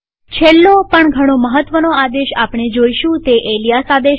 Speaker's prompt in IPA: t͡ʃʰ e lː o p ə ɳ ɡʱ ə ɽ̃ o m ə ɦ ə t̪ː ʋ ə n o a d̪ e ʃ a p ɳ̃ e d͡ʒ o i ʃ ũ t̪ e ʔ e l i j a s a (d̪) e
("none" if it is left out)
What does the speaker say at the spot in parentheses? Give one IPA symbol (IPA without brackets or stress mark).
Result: d̪